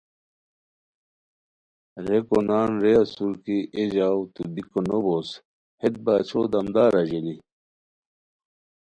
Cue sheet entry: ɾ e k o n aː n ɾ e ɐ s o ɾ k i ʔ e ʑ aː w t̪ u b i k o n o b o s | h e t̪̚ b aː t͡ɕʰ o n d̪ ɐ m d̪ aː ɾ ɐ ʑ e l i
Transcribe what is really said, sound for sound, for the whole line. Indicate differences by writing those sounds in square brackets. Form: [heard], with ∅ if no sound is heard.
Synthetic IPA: ɾ e k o n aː n ɾ e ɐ s [u] ɾ k i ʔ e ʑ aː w t̪ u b i k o n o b o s | h e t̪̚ b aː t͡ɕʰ o [∅] d̪ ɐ m d̪ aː ɾ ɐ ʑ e l i